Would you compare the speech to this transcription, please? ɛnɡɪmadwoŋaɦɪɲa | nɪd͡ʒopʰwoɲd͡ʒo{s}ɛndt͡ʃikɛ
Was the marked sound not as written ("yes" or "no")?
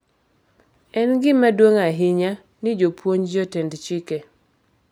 yes